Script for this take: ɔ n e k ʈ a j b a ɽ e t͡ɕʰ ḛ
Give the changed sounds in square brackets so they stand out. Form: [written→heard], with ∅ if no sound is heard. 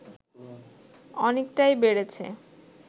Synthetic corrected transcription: ɔ n e k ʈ a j b [a→e] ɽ e t͡ɕʰ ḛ